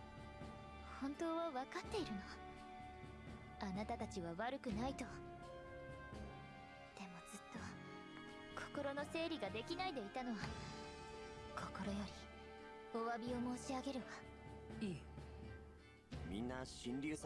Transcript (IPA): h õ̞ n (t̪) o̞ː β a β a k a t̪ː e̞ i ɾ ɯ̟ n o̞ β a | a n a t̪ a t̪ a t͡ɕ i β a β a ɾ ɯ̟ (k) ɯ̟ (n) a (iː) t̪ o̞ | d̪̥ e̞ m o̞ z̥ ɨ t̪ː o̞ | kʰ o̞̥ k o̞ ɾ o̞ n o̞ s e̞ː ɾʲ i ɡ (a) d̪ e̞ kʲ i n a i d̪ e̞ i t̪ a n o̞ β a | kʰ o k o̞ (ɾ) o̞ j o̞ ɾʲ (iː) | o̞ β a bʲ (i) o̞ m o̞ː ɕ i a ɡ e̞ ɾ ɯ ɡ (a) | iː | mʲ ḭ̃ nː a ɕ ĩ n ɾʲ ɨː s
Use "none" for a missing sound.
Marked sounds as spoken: t̪, k, n, i, a, ɾ, i, i, a

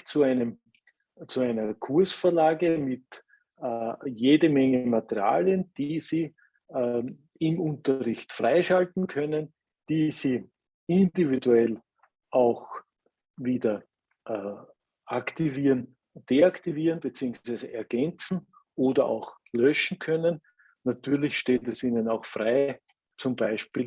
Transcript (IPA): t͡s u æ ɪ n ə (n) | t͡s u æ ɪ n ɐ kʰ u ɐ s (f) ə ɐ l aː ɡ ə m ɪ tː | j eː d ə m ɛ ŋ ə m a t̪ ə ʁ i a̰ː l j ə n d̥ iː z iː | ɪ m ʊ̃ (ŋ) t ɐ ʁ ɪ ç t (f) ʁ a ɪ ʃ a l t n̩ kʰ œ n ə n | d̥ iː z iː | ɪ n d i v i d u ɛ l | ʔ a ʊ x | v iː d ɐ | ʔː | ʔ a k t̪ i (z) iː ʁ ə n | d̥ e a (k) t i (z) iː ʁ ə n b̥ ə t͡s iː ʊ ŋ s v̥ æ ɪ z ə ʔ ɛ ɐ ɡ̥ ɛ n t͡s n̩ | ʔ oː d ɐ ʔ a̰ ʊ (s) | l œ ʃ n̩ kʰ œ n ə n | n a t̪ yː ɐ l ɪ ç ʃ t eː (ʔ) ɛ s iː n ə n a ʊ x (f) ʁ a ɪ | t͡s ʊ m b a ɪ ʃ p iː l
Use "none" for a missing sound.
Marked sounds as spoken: m, f, n, f, v, k, v, x, t, f

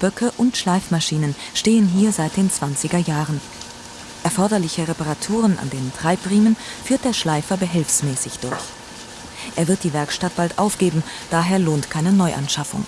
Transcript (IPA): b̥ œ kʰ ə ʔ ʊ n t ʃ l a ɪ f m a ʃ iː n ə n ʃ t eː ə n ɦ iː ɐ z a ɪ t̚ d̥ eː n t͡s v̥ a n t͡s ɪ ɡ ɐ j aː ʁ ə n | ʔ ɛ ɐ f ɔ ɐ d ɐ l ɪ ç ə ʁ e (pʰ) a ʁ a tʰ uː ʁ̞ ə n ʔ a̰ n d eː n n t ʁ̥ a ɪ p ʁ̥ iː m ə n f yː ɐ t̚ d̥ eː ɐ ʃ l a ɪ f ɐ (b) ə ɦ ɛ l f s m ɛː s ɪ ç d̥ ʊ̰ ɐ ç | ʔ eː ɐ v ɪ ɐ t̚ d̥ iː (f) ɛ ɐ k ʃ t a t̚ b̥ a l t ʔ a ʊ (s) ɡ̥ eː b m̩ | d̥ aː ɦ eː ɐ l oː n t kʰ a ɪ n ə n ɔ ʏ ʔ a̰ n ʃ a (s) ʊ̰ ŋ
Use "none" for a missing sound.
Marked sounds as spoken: p, b, v, f, f

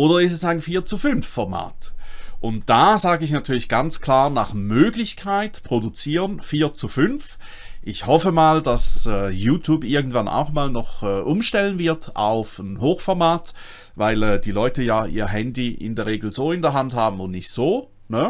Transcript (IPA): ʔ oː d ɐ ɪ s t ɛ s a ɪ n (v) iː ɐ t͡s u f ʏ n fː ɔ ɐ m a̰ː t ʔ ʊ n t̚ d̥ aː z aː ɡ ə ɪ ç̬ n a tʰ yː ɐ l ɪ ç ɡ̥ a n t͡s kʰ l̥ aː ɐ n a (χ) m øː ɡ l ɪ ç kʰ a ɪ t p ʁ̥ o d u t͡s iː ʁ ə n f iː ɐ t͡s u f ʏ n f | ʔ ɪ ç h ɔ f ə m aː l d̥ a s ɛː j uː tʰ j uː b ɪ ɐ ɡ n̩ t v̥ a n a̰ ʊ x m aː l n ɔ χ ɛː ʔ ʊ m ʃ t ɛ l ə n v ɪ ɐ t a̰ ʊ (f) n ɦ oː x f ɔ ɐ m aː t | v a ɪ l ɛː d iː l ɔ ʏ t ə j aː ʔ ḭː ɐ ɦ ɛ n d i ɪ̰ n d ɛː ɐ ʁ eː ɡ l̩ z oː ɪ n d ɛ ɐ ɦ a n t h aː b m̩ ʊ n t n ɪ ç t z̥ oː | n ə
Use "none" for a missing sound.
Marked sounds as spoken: f, χ, f

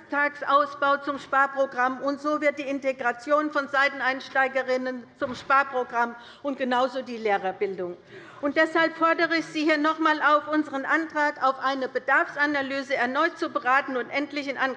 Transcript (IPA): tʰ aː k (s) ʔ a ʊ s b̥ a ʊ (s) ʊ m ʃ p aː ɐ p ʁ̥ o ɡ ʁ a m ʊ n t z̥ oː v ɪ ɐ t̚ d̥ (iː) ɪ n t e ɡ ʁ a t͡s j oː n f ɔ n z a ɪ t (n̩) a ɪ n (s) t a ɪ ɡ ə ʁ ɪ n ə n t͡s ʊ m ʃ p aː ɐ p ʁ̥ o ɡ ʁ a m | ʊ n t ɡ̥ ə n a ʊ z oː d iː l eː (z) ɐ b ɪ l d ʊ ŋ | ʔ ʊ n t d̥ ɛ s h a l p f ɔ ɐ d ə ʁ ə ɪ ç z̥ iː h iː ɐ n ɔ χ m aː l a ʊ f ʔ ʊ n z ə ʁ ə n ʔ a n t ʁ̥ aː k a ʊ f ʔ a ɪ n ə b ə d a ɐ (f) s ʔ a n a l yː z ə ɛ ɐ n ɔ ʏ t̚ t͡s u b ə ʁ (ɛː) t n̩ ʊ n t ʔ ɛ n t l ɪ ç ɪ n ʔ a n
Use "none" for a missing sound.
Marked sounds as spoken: s, t͡s, iː, n̩, ʃ, ʁ, f, aː

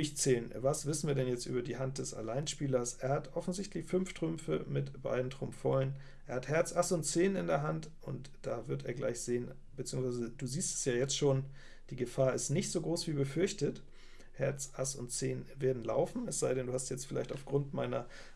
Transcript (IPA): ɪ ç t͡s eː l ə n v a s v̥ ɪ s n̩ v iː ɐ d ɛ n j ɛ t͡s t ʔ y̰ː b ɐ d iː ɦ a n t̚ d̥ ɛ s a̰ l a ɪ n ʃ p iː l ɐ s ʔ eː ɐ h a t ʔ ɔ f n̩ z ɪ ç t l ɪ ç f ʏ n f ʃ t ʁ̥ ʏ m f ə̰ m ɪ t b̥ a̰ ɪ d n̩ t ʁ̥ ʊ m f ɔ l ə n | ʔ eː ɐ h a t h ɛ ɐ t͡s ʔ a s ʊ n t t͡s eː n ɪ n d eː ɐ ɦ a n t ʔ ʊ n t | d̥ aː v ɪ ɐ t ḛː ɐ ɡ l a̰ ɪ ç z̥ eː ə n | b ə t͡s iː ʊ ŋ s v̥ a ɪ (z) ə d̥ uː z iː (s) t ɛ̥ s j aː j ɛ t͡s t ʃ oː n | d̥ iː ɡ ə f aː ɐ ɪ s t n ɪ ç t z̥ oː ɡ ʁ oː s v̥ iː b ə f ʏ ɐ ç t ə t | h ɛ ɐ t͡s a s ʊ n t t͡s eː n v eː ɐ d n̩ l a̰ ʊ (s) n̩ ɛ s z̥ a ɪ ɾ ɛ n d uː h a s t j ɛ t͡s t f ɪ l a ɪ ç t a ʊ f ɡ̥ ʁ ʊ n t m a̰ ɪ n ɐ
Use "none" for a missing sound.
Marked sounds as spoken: z, s, f

